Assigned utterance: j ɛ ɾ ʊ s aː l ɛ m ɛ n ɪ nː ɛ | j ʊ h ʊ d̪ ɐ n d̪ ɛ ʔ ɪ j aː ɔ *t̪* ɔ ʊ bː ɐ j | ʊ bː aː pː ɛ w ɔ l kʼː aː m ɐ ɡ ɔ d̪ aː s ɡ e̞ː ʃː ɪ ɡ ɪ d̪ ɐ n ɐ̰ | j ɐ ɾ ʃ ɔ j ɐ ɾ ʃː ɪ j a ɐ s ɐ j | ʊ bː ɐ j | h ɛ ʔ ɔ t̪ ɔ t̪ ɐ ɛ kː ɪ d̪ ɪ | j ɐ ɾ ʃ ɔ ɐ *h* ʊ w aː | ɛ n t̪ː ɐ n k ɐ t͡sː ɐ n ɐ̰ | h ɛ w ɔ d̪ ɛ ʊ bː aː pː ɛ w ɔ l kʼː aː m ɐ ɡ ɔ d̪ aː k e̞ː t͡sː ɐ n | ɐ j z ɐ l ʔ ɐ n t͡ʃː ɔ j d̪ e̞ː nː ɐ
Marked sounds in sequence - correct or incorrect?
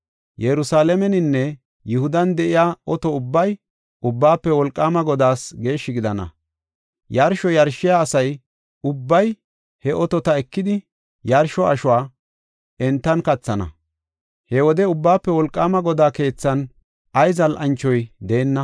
correct, incorrect: ʃ

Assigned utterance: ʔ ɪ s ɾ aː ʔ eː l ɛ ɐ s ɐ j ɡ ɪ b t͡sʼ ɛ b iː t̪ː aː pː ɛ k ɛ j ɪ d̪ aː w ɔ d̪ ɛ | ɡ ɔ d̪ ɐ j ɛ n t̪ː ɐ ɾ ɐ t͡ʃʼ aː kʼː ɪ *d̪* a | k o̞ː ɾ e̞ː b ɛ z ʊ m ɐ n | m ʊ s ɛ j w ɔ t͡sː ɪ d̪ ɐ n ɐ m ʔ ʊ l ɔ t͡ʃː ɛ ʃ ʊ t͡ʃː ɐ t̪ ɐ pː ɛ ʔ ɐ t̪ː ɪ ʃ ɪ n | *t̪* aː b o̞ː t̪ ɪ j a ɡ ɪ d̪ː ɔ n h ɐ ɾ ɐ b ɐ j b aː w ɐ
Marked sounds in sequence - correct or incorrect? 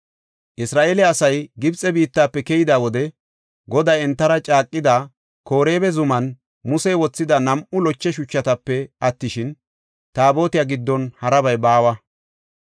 correct, correct

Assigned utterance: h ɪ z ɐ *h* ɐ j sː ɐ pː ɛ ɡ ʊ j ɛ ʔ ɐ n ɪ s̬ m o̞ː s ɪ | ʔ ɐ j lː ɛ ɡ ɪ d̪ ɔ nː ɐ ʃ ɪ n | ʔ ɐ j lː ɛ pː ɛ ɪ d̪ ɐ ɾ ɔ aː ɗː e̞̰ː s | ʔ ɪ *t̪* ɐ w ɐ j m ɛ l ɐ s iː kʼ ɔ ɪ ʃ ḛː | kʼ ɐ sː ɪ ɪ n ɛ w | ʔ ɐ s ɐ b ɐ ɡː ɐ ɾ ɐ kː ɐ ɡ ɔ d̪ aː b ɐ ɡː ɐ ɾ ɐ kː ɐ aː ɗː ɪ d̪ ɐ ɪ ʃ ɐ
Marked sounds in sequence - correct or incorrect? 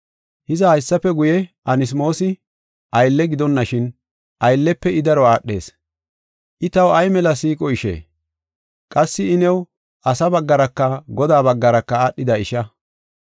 correct, correct

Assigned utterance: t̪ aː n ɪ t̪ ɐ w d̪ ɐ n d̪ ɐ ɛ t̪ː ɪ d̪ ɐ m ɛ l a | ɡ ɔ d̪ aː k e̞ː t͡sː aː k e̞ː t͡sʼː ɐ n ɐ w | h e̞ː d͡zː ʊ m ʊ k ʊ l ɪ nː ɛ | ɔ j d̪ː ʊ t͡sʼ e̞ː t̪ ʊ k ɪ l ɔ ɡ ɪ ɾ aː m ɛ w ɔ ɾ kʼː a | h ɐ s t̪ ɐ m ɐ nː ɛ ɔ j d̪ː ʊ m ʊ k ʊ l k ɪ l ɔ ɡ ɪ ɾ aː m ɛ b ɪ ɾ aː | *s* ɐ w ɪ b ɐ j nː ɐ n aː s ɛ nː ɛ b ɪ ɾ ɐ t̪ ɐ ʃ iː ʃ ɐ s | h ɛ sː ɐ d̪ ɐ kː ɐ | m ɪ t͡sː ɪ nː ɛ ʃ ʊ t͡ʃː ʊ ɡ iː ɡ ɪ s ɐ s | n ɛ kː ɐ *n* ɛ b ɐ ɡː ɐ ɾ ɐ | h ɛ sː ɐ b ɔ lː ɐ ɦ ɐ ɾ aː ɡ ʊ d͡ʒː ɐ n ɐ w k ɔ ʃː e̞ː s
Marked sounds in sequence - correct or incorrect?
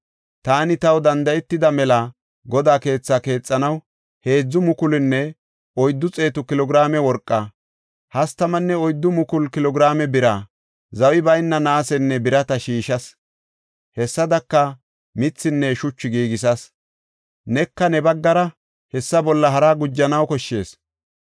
incorrect: z, correct

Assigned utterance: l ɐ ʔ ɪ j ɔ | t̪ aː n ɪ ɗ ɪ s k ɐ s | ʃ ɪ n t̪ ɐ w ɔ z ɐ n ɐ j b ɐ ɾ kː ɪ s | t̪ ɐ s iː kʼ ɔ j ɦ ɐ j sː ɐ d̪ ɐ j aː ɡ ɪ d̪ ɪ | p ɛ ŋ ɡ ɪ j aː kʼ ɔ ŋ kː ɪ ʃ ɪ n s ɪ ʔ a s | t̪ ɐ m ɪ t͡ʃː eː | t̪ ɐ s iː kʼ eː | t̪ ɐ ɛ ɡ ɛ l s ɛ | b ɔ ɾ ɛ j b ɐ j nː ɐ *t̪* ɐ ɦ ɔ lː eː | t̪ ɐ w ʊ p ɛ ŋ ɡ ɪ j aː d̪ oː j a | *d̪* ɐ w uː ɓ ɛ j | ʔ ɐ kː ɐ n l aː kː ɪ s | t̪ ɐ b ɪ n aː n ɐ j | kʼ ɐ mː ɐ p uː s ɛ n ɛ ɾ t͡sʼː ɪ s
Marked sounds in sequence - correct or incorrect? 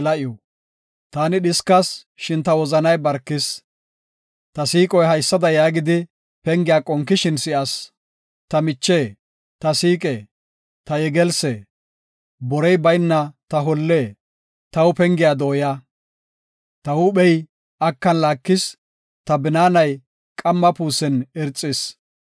correct, incorrect: t̪

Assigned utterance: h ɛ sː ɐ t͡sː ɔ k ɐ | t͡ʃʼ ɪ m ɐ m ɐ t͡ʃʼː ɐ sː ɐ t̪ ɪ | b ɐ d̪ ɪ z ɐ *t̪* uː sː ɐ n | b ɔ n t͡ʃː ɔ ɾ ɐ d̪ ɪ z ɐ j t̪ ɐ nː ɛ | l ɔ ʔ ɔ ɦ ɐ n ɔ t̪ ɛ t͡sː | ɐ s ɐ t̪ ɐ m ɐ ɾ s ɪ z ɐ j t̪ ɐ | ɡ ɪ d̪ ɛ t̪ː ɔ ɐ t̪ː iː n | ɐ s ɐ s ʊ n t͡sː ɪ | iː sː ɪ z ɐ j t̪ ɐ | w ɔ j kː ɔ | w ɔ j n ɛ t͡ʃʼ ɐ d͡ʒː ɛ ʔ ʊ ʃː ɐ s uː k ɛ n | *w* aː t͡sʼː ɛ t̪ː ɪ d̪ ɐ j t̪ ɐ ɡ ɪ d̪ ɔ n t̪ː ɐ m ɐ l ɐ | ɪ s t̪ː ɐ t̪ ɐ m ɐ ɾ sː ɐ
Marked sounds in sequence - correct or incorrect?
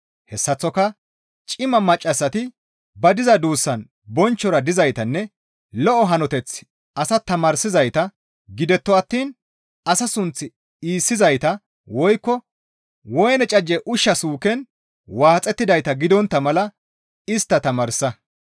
incorrect: d̪, correct

